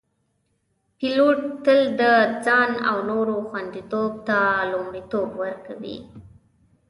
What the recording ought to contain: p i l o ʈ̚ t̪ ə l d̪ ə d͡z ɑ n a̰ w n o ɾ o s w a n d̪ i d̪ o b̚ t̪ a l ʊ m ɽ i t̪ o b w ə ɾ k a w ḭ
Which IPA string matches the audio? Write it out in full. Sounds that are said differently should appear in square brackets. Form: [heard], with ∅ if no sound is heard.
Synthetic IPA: p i l o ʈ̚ t̪ ə l d̪ ə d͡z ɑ n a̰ w n o ɾ o [x] w a n d̪ i [t̪] o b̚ t̪ a l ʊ m ɽ i t̪ o b w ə ɾ k a w ḭ